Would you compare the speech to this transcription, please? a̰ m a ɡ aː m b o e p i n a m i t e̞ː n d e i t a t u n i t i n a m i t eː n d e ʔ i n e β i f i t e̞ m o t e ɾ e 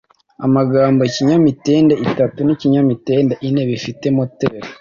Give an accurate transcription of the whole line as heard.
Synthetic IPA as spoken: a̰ m a ɡ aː m b o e c i ɲ a m i t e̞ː n d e i t a t u n i c i ɲ a m i t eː n d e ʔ i n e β i f i t e̞ m o t e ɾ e